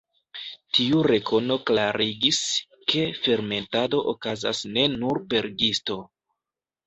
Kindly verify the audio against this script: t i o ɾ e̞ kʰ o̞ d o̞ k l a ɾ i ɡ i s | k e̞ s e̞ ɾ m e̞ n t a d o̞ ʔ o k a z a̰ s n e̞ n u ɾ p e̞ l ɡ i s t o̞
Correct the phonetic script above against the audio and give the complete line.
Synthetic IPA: t i u ɾ e̞ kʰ o̞ n o̞ k l a ɾ i ɡ i s | k e̞ f e̞ ɾ m e̞ n t a d o̞ ʔ o k a z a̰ s n e̞ n u ɾ p e̞ ɾ ɡ i s t o̞